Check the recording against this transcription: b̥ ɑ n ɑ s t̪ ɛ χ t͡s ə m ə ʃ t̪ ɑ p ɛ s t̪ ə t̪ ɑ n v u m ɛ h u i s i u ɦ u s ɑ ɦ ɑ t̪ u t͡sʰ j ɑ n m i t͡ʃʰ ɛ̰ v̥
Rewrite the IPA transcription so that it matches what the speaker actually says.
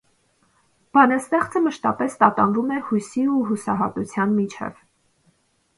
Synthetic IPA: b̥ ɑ n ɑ s t̪ ɛ χ t͡s ə m ə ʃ t̪ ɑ p ɛ s t̪ ɑ t̪ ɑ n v u m ɛ h u j s i u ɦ u s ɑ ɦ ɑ t̪ u t͡sʰ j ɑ n m i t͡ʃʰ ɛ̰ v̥